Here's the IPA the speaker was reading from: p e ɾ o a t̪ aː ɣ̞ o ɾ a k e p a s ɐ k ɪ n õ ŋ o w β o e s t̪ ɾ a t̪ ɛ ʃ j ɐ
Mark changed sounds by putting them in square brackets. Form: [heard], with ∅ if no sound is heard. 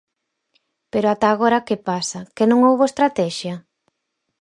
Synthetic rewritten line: p e ɾ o a t̪ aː ɣ̞ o ɾ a k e p a s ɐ k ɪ n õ ŋ o w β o e s t̪ ɾ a t̪ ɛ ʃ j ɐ